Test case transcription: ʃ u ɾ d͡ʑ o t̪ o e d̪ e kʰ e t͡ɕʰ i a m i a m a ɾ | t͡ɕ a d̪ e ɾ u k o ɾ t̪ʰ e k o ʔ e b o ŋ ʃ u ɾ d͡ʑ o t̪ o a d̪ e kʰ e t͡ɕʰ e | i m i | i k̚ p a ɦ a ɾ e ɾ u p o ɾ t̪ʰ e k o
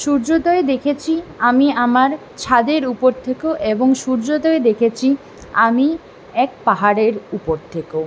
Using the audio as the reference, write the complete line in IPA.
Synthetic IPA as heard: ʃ u ɾ d͡ʑ o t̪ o e d̪ e kʰ e t͡ɕʰ i a m i a m a ɾ | t͡ɕʰ a d̪ e ɾ u p o ɾ t̪ʰ e k o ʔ e b o ŋ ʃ u ɾ d͡ʑ o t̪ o e d̪ e kʰ e t͡ɕʰ i | a m i | ɛ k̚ p a ɦ a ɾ e ɾ u p o ɾ t̪ʰ e k o